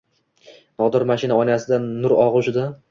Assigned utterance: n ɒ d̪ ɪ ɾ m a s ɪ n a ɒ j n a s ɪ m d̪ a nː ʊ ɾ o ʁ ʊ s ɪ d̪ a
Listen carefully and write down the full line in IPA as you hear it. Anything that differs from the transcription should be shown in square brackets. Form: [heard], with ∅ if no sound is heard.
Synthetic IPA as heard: n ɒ d̪ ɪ ɾ m a [ʃ] ɪ n a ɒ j n a s ɪ [∅] d̪ a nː ʊ ɾ [ɒ] ʁ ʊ [ʃ] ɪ d̪ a